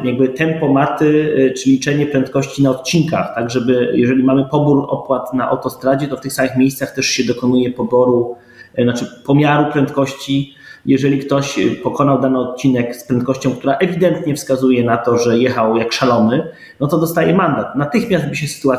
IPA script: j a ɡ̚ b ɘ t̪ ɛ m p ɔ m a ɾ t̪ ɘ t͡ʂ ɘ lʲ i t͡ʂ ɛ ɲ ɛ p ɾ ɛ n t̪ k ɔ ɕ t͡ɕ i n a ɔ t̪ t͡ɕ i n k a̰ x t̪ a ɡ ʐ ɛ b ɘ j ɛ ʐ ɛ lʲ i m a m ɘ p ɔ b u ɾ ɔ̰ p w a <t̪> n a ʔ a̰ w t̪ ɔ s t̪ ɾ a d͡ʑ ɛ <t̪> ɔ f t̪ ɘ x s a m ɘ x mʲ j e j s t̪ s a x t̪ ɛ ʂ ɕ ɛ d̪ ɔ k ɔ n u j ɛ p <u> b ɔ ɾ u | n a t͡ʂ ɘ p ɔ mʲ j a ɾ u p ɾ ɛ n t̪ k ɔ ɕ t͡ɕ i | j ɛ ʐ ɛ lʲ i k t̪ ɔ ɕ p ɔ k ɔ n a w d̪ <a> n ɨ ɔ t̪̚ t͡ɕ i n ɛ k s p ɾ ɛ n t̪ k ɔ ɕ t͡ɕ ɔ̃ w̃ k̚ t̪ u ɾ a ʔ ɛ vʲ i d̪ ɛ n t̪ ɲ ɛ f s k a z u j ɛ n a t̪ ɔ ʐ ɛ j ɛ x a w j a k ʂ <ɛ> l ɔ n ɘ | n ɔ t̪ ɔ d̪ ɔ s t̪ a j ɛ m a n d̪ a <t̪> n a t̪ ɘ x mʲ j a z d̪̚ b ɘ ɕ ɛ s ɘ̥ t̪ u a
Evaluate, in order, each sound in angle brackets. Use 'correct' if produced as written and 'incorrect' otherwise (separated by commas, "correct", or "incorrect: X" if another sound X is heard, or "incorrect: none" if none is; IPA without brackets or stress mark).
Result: correct, correct, incorrect: ɔ, correct, incorrect: a, correct